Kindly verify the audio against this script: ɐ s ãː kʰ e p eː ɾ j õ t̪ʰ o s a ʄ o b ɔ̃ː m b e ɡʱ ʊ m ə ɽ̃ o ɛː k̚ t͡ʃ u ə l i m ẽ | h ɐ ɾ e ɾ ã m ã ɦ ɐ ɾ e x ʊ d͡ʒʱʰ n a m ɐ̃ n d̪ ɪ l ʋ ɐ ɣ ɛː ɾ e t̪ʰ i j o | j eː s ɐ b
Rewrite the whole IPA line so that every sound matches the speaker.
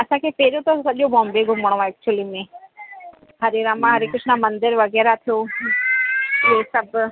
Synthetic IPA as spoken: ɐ s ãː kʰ e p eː ɾ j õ t̪ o s ɐ ʄ o b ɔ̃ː m b e ɡʱ ʊ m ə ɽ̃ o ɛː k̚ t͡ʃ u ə l i m ẽ | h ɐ ɾ e ɾ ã m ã ɦ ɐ ɾ e k ʊ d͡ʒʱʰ n a m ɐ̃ n d̪ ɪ ɾ ʋ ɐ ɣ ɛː ɾ a t̪ʰ i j o | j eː s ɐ b